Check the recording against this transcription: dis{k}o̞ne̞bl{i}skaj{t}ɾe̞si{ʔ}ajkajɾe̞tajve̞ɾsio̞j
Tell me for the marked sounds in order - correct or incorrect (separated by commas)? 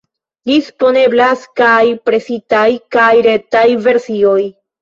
incorrect, incorrect, incorrect, incorrect